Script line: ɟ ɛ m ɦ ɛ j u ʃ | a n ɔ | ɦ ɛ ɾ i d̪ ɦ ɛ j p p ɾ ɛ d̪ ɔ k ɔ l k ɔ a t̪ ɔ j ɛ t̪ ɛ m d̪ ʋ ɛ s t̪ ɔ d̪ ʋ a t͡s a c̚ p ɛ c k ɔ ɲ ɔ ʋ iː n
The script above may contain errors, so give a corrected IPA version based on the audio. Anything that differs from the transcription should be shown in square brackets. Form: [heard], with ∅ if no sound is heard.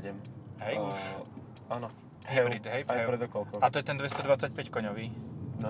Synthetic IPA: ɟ ɛ m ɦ ɛ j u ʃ | a n ɔ | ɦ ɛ ɾ i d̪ ɦ ɛ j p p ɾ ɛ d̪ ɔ k ɔ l k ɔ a t̪ ɔ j ɛ t̪ ɛ [n] d̪ ʋ ɛ s t̪ ɔ d̪ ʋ a t͡s a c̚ p ɛ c k ɔ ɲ ɔ ʋ iː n